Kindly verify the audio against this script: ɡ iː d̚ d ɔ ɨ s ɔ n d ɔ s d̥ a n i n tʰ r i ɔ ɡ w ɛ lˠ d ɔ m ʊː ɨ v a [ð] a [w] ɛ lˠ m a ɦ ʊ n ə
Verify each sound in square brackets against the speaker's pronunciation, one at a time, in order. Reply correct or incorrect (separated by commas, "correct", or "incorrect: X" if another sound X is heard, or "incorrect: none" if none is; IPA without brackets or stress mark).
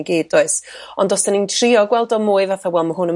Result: incorrect: θ, correct